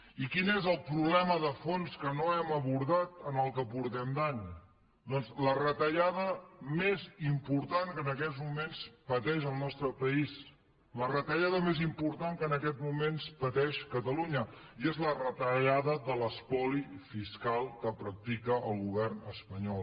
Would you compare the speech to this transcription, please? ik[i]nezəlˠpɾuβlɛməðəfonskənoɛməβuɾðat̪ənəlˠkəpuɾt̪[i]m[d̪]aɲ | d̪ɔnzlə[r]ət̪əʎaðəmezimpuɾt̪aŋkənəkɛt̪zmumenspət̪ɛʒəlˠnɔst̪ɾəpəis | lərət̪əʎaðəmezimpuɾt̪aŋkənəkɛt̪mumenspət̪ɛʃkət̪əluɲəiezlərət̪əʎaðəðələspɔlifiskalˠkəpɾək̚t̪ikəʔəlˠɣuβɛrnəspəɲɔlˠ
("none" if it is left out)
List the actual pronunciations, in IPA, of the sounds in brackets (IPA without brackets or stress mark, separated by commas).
i, ɛ, d̪, r